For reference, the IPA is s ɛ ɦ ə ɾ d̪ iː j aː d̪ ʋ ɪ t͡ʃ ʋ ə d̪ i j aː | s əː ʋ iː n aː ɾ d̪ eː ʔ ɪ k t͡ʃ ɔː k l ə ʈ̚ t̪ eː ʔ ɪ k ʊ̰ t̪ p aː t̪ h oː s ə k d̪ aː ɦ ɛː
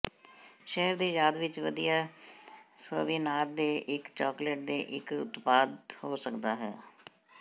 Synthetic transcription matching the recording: ʃ ɛ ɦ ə ɾ d̪ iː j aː d̪ ʋ ɪ t͡ʃ ʋ ə d̪ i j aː | s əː ʋ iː n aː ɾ d̪ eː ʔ ɪ k t͡ʃ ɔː k l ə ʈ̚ d̪ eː ʔ ɪ k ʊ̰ t̪ p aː d̪ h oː s ə k d̪ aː ɦ ɛː